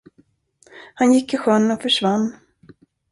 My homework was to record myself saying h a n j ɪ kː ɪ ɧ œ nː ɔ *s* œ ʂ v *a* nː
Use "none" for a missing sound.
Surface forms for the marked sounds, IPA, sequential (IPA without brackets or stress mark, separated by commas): f, a